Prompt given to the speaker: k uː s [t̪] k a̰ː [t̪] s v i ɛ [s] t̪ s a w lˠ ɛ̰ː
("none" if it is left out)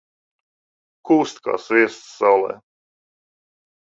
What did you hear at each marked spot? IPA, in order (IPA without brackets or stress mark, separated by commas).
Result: t̪, none, s